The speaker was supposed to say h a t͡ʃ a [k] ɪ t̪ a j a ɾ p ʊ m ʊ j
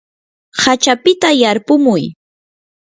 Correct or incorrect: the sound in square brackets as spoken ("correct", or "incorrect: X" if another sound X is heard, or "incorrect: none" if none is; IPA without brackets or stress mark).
incorrect: p